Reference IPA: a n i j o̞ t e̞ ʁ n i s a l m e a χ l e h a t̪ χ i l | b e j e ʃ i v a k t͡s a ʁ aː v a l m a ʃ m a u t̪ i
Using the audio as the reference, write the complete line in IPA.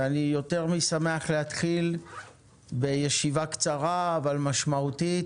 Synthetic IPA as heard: a n i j o̞ t e̞ ʁ m i s a m e a χ l e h a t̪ χ i l | b e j e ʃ i v a k t͡s a ʁ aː v a l m a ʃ m a u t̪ i